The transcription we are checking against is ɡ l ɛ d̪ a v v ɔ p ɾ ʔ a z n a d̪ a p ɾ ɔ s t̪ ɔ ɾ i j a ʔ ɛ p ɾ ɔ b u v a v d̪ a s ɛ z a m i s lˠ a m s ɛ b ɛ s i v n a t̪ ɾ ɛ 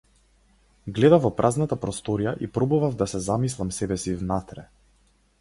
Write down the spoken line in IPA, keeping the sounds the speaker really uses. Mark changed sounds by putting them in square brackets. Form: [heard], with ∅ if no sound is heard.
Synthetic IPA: ɡ l ɛ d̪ a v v ɔ p ɾ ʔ a z n a [t̪] a p ɾ ɔ s t̪ ɔ ɾ i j a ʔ [i] p ɾ ɔ b u v a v d̪ a s ɛ z a m i s lˠ a m s ɛ b ɛ s i v n a t̪ ɾ ɛ